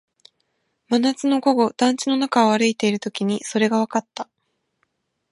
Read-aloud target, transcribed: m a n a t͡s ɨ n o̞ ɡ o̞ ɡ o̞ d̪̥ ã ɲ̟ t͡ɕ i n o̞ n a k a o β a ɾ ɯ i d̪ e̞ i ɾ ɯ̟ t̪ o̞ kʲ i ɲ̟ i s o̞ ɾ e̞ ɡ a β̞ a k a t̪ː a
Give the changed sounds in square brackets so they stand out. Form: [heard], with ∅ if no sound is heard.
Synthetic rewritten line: m a n a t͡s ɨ n o̞ ɡ o̞ ɡ o̞ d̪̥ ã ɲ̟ t͡ɕ i n o̞ n a k a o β a ɾ ɯ i [t̪] e̞ i ɾ ɯ̟ t̪ o̞ kʲ i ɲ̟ i s o̞ ɾ e̞ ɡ a β̞ a k a t̪ː a

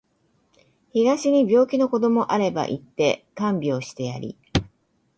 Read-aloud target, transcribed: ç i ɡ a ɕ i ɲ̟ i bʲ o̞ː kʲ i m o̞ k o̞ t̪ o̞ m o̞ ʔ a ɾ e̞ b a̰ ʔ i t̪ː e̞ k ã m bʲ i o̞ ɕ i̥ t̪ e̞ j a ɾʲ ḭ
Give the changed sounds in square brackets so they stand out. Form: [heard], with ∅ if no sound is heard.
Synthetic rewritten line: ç i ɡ a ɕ i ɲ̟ i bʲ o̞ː kʲ i [n] o̞ k o̞ [d̪] o̞ m o̞ ʔ a ɾ e̞ b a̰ ʔ i t̪ː e̞ k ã m bʲ i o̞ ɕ i̥ t̪ e̞ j a ɾʲ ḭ

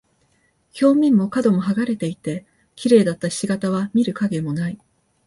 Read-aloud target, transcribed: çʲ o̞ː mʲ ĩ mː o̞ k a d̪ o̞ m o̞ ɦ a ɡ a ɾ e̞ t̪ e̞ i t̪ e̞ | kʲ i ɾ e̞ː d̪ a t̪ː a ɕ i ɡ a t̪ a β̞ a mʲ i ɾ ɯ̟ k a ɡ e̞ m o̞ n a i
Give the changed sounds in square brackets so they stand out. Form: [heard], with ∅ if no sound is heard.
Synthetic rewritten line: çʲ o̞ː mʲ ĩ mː o̞ k a d̪ o̞ m o̞ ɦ a ɡ a ɾ e̞ t̪ e̞ i t̪ e̞ | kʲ i ɾ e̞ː d̪ a t̪ː a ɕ i ɡ a t̪ a β̞ a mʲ i ɾ ɯ̟ k a ɡ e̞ m o̞ n a i

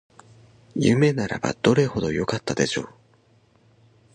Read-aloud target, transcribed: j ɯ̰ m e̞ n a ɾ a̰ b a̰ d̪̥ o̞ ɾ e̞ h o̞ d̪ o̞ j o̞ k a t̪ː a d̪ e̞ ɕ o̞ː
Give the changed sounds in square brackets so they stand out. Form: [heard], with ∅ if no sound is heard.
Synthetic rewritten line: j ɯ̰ m e̞ n a ɾ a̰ b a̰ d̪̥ o̞ ɾ e̞ h o̞ d̪ o̞ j o̞ k a t̪ː a d̪ e̞ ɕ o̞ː

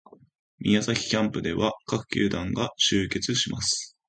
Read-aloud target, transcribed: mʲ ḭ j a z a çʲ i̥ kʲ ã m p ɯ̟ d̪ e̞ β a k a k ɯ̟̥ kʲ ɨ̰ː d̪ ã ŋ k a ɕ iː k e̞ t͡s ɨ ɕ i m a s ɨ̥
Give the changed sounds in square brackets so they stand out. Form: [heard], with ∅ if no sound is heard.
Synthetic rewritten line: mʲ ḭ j a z a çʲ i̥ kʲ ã m p ɯ̟ d̪ e̞ β a k a k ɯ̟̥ kʲ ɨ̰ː d̪ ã ŋ [ɡ] a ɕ [ɨː] k e̞ t͡s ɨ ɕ i m a s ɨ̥

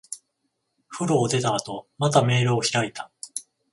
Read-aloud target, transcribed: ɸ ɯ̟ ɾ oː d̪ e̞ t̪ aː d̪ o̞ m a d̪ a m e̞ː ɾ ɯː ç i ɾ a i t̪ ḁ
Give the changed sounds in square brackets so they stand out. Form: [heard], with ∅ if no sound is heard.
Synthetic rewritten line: ɸ ɯ̟ ɾ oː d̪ e̞ t̪ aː [t̪] o̞ m a [t̪] a m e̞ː ɾ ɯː ç i ɾ a i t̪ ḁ

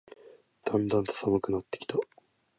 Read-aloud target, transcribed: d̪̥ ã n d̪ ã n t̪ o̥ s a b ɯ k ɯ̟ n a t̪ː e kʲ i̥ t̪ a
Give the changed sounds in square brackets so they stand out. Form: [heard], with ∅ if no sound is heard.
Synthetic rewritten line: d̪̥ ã n d̪ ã n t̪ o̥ s a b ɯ k ɯ̟ n a t̪ː e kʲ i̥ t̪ a

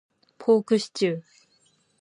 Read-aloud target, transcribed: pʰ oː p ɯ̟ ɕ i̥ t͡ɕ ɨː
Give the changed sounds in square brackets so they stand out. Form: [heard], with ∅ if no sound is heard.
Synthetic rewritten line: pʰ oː [k] ɯ̟ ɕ i̥ t͡ɕ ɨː

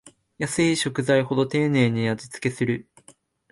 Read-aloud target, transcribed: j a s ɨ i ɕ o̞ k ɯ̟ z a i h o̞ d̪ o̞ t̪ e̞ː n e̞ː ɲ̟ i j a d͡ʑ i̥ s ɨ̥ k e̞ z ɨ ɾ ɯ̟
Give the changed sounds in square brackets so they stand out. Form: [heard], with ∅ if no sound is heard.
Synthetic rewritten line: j a s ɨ i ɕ o̞ k ɯ̟ z a i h o̞ d̪ o̞ t̪ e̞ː n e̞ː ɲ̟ i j a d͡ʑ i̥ [t͡s] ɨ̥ k e̞ [s] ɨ ɾ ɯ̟

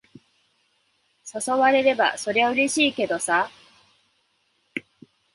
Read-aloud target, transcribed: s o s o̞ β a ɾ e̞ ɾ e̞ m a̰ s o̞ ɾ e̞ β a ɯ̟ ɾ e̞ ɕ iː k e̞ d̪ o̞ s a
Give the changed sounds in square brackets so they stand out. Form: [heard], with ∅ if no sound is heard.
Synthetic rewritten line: s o s o̞ β a ɾ e̞ ɾ e̞ [b] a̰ s o̞ ɾ e̞ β a ɯ̟ ɾ e̞ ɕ iː k e̞ d̪ o̞ s a

